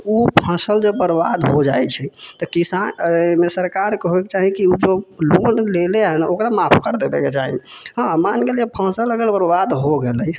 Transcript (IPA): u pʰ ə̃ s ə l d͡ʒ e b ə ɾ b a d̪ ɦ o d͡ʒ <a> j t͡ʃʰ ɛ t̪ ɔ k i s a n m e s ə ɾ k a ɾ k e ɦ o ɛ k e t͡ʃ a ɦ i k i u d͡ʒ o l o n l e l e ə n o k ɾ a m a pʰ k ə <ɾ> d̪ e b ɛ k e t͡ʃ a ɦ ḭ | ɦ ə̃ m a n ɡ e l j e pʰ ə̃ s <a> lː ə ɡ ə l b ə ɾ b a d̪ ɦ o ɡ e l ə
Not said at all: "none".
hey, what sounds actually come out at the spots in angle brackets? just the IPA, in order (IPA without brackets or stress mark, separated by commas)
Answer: a, ɾ, ə